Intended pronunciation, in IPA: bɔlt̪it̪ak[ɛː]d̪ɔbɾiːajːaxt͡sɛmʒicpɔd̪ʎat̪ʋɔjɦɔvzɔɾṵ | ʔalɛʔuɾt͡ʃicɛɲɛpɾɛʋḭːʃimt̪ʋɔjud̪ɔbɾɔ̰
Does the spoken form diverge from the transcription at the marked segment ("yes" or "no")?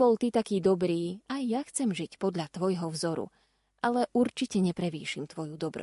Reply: yes